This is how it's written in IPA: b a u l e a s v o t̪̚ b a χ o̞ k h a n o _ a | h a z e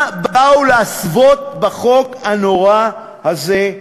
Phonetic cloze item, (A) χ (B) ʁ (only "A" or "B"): B